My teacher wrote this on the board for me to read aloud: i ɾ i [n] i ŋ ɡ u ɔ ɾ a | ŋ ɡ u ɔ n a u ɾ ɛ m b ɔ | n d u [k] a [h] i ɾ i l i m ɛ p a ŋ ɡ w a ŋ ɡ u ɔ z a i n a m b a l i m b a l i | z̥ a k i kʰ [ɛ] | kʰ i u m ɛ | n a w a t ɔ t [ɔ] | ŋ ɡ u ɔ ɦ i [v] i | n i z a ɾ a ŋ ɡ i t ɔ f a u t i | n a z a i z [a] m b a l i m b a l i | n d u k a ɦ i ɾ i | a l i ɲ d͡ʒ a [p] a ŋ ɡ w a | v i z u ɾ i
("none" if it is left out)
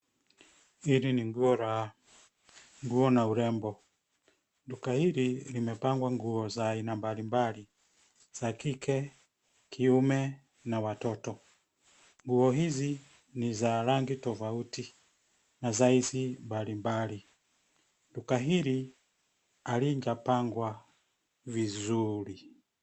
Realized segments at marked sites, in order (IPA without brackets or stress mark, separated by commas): n, k, h, ɛ, ɔ, z, i, p